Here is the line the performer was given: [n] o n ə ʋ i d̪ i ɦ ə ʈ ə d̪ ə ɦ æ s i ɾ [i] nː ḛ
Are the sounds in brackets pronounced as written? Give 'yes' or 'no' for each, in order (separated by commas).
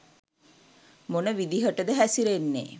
no, no